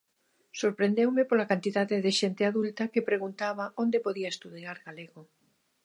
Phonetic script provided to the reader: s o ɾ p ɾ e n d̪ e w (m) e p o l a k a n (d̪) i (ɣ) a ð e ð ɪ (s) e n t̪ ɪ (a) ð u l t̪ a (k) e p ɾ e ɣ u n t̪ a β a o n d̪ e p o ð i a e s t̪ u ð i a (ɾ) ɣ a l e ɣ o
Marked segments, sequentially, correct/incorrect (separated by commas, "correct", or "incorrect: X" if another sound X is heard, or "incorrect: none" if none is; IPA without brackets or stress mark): correct, incorrect: t̪, incorrect: ð, incorrect: ʃ, correct, correct, correct